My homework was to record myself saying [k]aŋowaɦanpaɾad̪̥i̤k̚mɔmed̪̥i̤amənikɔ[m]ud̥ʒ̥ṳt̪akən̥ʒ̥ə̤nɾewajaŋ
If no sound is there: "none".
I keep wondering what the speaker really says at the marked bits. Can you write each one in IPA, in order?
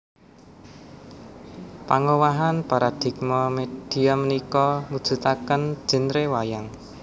p, m

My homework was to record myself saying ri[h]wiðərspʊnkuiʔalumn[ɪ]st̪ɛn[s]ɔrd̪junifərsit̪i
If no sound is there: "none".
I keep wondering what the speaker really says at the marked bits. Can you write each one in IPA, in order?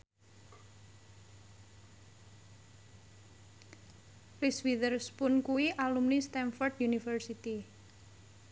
s, i, f

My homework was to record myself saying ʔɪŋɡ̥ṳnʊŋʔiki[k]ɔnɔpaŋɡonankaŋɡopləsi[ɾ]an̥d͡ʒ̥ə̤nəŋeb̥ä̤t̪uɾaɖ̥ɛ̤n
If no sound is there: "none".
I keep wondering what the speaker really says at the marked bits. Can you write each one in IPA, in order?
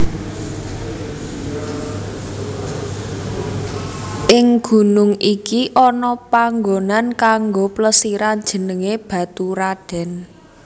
ʔ, ɾ

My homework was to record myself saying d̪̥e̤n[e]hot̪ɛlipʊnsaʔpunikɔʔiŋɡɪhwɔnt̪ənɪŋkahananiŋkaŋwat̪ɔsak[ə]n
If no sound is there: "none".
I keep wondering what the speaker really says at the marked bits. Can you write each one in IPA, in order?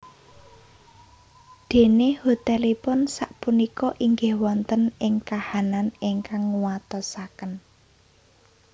e, ə

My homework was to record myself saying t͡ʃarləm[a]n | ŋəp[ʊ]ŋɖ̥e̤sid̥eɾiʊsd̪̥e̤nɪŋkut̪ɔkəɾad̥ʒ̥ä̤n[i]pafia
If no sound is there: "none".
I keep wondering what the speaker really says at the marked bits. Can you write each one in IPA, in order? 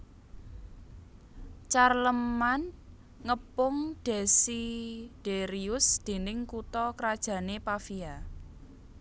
a, ʊ, e

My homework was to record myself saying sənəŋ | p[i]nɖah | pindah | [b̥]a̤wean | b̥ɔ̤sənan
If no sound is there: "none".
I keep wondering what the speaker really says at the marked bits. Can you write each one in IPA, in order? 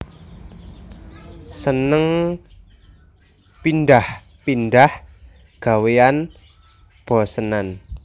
i, ɡ̥

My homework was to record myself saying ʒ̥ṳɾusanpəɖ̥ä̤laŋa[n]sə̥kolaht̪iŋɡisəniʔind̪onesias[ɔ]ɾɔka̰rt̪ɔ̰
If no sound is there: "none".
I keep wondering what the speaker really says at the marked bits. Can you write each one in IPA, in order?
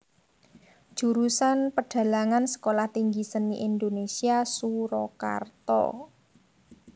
n, u

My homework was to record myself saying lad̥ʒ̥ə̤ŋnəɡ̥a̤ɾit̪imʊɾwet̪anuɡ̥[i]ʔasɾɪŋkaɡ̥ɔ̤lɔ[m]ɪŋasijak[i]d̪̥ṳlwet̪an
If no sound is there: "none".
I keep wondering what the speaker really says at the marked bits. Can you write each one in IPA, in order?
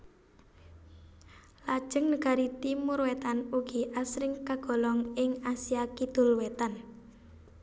i, ŋ, i

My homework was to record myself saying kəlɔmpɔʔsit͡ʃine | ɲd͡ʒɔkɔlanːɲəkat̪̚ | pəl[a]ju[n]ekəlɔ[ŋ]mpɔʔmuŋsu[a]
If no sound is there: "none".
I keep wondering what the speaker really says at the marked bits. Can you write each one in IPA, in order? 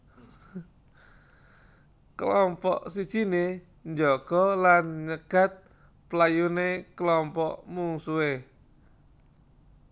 a, n, none, e

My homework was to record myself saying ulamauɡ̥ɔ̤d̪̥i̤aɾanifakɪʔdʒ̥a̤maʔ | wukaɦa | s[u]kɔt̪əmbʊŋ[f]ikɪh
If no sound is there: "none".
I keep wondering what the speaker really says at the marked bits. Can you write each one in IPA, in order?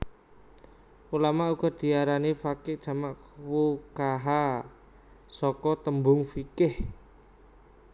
ɔ, f

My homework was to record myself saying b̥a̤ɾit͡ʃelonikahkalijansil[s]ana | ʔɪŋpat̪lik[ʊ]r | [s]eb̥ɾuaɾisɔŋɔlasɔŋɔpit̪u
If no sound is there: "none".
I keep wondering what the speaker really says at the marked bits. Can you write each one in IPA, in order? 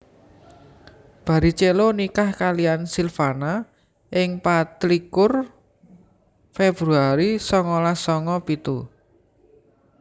f, ʊ, f

